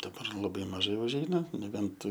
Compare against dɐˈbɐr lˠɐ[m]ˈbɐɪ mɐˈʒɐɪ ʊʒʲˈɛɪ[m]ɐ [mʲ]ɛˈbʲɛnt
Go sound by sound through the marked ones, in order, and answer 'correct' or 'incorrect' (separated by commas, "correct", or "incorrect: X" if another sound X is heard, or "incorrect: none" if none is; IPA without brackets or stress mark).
incorrect: none, incorrect: n, incorrect: nʲ